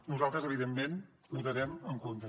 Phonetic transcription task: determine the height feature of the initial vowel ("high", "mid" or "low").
high